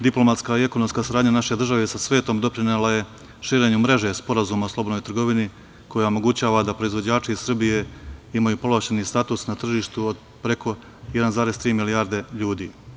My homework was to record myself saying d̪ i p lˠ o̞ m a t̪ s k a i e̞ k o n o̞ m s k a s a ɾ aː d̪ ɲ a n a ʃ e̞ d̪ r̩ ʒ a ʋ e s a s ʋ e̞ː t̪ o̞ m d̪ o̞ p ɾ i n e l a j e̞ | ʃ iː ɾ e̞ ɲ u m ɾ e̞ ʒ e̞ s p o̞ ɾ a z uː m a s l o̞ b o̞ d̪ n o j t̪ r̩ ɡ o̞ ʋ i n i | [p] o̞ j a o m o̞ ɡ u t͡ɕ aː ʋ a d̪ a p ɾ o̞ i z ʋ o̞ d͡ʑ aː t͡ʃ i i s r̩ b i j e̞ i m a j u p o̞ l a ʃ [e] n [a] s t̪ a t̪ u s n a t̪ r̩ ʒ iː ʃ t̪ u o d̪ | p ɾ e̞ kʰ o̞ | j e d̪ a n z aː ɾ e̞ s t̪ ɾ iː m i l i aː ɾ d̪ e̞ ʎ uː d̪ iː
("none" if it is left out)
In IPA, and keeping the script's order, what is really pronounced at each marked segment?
k, e, i

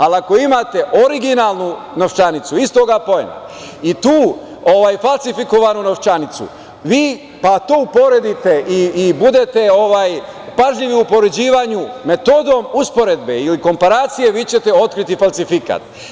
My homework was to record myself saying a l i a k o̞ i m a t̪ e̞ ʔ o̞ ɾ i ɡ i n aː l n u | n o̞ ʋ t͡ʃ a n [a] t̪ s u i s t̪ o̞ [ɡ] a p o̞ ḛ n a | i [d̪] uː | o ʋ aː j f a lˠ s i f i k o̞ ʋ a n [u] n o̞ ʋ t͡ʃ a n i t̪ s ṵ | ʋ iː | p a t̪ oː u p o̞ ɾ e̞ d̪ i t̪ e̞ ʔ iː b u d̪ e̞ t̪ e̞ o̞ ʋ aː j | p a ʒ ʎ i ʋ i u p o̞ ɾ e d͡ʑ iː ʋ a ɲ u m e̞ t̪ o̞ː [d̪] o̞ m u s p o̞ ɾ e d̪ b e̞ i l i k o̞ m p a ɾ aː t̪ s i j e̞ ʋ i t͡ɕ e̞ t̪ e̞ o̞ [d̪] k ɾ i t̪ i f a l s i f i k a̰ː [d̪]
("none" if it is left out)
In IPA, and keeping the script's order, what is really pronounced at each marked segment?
i, ɡ, t̪, u, d̪, t̪, t̪

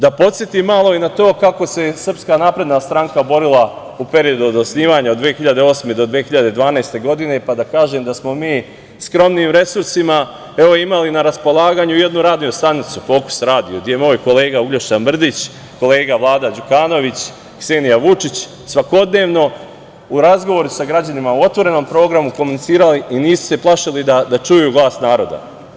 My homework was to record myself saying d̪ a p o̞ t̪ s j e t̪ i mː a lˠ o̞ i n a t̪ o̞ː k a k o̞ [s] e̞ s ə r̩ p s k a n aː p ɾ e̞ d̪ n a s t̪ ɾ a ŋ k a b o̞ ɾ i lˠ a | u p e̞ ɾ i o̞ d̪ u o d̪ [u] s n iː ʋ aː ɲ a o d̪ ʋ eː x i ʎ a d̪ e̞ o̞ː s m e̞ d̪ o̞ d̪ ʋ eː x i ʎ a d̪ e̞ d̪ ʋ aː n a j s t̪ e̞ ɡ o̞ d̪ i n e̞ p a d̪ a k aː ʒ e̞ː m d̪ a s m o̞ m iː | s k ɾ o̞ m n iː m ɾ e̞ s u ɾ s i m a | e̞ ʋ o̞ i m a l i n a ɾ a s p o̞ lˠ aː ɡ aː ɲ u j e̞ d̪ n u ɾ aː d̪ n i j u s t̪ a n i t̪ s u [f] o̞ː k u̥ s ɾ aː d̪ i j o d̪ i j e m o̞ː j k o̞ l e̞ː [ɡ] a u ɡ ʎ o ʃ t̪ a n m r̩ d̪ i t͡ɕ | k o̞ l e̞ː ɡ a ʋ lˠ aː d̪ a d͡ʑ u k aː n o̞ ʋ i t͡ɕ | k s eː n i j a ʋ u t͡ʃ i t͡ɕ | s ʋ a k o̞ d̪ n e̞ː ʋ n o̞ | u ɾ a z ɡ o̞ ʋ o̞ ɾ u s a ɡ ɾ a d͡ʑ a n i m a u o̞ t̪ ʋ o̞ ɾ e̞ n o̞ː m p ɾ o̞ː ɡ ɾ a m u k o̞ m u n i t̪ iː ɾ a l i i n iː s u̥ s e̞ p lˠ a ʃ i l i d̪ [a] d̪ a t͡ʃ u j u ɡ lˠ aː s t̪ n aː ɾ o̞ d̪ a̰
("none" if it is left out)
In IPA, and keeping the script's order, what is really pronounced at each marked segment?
s, o, f, ɡ, a

